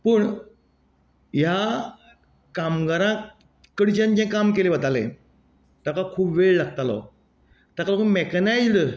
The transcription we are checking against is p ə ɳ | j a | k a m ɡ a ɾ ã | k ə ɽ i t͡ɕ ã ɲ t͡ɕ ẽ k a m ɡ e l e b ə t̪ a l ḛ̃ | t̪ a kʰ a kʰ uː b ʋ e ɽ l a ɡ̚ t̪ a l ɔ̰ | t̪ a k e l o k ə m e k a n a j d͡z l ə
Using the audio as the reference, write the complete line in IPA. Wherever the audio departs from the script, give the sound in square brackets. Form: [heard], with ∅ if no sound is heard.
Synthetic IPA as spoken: p ə ɳ | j a | k a m ɡ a ɾ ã | k ə ɽ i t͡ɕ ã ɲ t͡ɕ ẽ k a m [k] e l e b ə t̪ a l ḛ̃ | t̪ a [k] a kʰ uː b ʋ e [ɭ] l a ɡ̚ t̪ a l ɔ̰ | t̪ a k [a] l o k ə m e k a n a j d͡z l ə